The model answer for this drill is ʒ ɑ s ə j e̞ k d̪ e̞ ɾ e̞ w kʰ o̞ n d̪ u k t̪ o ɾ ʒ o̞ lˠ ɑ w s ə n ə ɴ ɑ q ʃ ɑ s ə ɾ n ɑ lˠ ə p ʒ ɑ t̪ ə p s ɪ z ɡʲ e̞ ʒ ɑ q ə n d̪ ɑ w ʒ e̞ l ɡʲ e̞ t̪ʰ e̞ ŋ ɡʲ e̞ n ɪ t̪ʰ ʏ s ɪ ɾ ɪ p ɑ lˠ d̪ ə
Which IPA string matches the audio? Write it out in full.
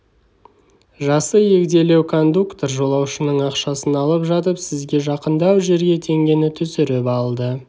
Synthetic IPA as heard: ʒ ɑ s ə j e̞ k d̪ e̞ l e̞ w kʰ o̞ n d̪ u k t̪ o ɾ ʒ o̞ lˠ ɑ w ʃ ə n ə ɴ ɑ q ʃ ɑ s ə n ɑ lˠ ə p ʒ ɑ t̪ ə p s ɪ z ɡʲ e̞ ʒ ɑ q ə n d̪ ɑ w ʒ e̞ ɾ ɡʲ e̞ t̪ʰ e̞ ŋ ɡʲ e̞ n ɪ t̪ʰ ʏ s ɪ ɾ ɪ p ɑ lˠ d̪ ə